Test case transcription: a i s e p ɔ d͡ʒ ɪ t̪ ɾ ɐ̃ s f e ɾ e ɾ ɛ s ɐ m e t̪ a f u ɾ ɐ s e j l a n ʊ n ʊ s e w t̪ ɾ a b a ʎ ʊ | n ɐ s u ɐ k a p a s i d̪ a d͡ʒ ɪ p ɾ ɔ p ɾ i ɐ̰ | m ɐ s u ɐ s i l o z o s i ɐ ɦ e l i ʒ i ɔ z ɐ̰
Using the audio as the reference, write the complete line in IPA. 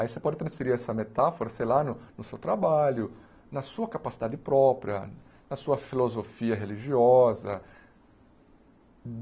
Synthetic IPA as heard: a i s e p ɔ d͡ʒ ɪ t̪ ɾ ɐ̃ s f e ɾ i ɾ ɛ s ɐ m e t̪ a f o ɾ ɐ s e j l a n ʊ n ʊ s e w t̪ ɾ a b a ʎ ʊ | n ɐ s u ɐ k a p a s i d̪ a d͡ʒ ɪ p ɾ ɔ p ɾ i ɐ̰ | n ɐ s u ɐ f i l o z o f i ɐ ɦ e l i ʒ i ɔ z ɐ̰